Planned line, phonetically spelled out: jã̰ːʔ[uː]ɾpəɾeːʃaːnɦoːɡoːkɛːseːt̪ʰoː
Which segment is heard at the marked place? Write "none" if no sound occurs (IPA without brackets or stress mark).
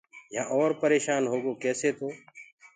ɔː